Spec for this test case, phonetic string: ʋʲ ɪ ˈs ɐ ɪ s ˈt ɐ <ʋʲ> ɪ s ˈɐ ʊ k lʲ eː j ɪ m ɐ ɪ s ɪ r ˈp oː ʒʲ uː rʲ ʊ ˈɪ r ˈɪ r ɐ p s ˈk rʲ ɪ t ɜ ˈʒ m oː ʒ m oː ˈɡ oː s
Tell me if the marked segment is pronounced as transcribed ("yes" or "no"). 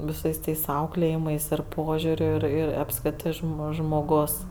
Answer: no